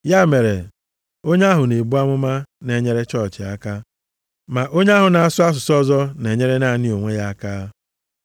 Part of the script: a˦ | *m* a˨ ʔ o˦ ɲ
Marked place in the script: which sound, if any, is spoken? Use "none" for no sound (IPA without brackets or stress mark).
m